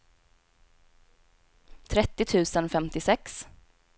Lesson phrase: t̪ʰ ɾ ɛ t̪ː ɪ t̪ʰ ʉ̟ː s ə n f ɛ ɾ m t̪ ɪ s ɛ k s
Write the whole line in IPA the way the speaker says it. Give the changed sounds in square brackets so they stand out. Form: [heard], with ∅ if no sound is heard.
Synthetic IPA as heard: t̪ʰ ɾ ɛ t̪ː ɪ t̪ʰ ʉ̟ː s ə n f ɛ [∅] m t̪ ɪ s ɛ k s